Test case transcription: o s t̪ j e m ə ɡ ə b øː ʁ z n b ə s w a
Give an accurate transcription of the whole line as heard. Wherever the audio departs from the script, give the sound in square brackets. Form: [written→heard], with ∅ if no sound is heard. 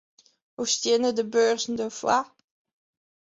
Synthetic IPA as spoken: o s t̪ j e [m→n] ə [ɡ→d] ə b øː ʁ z n [b→d] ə [s→f] w a